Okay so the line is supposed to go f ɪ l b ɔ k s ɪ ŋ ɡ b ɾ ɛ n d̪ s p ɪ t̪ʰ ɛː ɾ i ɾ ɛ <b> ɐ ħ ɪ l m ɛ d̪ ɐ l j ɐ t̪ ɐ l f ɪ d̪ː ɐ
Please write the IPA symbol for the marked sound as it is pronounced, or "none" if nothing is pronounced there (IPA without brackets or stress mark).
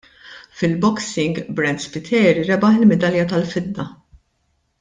b